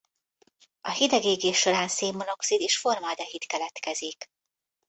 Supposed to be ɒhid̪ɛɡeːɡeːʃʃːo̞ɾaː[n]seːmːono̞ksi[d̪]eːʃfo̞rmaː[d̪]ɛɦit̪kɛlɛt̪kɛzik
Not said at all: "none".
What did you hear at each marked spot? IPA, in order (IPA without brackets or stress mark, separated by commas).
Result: n, d̪, d̪